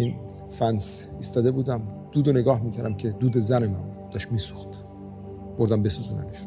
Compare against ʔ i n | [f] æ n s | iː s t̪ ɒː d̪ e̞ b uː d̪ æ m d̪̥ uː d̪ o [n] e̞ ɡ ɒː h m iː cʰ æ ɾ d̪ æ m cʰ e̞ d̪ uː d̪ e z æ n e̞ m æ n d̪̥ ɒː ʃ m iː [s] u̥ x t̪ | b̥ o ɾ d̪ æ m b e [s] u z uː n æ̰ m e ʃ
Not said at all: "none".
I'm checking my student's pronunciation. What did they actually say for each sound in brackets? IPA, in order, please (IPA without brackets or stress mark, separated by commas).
f, n, s, s